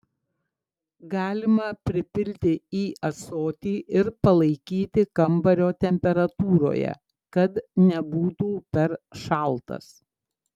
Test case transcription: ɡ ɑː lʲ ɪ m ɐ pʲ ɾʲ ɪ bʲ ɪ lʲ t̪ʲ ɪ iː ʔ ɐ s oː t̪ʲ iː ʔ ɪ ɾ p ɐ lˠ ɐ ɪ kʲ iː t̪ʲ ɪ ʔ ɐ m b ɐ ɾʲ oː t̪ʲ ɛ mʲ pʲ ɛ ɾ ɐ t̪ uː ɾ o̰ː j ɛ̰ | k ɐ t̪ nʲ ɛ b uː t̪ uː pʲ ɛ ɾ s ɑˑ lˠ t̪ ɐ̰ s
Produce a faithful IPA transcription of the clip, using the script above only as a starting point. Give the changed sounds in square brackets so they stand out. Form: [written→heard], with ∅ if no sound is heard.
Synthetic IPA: ɡ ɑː lʲ ɪ m ɐ pʲ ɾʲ ɪ [bʲ→pʲ] ɪ lʲ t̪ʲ ɪ iː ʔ ɐ s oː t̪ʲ iː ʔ ɪ ɾ p ɐ lˠ ɐ ɪ kʲ iː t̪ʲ ɪ [ʔ→k] ɐ m b ɐ ɾʲ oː t̪ʲ ɛ mʲ pʲ ɛ ɾ ɐ t̪ uː ɾ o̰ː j ɛ̰ | k ɐ t̪ nʲ ɛ b uː t̪ uː pʲ ɛ ɾ [s→ʃ] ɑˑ lˠ t̪ ɐ̰ s